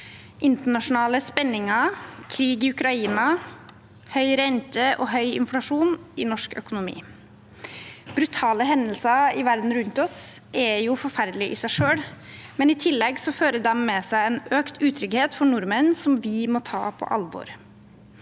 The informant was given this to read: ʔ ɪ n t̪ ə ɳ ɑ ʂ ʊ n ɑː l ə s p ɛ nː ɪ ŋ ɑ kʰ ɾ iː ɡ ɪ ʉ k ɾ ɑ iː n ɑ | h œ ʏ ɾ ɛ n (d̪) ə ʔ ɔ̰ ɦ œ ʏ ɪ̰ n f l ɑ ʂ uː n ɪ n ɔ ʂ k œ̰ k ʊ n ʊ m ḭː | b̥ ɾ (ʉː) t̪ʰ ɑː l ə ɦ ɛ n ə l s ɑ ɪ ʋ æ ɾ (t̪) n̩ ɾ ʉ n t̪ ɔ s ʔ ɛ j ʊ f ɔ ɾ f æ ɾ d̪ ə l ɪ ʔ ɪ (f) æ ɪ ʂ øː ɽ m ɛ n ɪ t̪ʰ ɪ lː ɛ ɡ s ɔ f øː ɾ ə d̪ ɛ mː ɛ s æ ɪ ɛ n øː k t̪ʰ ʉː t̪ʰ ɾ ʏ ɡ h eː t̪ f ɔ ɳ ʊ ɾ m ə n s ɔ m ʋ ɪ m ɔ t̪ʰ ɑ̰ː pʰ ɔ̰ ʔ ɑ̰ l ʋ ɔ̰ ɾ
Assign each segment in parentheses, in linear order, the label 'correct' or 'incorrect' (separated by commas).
incorrect, incorrect, incorrect, incorrect